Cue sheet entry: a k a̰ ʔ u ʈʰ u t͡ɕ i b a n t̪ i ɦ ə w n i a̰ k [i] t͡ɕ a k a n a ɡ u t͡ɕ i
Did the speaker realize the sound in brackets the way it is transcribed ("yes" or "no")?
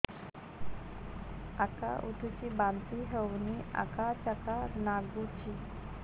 no